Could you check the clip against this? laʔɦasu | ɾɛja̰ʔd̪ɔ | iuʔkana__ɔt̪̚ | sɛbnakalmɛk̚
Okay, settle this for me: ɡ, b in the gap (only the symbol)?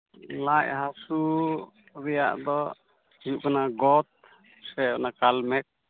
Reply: ɡ